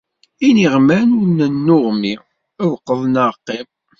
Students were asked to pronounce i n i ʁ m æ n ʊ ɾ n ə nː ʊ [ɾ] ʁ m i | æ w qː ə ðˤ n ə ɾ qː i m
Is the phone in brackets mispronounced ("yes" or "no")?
yes